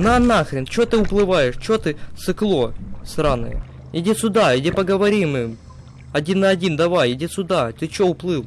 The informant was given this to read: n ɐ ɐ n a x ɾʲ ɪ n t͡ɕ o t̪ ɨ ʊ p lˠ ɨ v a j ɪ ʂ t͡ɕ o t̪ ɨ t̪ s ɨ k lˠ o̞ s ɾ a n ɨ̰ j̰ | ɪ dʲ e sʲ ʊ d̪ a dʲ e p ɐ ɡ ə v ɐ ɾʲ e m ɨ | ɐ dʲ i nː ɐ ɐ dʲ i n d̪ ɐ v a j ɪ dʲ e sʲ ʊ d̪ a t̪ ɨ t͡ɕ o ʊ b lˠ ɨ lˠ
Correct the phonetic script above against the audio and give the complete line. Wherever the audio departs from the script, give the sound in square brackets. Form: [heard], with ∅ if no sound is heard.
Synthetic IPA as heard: n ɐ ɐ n a x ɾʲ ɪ n t͡ɕ o t̪ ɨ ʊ p lˠ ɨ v a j ɪ ʂ t͡ɕ o t̪ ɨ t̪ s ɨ k lˠ o̞ s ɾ a n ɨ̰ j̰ | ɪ dʲ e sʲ ʊ d̪ a dʲ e p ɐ ɡ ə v ɐ ɾʲ [i] m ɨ | ɐ dʲ i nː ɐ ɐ dʲ i n d̪ ɐ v a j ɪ dʲ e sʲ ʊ d̪ a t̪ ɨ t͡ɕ o ʊ [p] lˠ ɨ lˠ